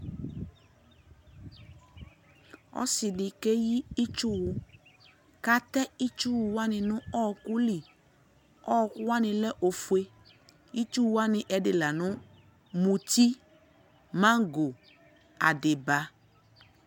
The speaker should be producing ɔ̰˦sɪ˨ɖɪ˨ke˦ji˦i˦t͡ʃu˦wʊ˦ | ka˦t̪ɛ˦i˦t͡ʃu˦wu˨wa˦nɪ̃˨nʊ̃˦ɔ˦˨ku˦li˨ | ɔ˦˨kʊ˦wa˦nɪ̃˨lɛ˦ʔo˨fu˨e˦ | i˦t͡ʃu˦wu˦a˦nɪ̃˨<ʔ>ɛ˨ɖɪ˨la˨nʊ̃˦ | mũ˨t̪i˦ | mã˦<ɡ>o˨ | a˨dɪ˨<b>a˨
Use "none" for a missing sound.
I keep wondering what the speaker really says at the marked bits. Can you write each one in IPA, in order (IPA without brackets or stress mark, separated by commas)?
ʔ, ɡ, b